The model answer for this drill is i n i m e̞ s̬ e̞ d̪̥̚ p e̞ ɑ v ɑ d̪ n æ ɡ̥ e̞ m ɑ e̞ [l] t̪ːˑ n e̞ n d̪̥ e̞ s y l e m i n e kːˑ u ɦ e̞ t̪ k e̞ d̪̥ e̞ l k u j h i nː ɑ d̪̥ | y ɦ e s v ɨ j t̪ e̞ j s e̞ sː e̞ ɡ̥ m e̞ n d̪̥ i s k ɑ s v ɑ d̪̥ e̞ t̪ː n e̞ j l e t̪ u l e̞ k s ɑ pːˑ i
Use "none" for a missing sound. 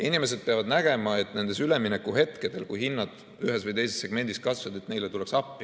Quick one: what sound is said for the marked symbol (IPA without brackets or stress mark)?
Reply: none